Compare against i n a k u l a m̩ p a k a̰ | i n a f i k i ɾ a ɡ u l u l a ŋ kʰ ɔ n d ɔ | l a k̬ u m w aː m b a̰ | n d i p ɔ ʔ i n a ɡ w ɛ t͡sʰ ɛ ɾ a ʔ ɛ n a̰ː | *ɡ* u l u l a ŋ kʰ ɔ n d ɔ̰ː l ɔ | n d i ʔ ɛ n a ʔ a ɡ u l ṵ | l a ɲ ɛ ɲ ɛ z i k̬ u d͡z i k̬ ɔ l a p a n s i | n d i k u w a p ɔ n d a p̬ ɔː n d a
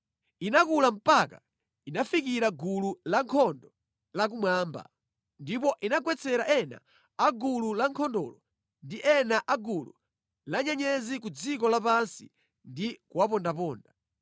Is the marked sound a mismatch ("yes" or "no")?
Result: no